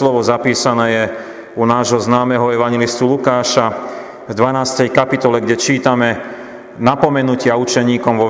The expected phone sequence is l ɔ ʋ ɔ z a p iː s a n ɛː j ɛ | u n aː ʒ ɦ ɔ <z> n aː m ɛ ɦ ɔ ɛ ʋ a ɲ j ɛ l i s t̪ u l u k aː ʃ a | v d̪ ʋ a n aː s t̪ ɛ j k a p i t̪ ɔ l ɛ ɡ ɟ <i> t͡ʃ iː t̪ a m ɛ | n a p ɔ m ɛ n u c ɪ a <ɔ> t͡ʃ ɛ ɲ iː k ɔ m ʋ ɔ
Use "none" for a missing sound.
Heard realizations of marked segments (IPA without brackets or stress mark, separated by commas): z, ɛ, u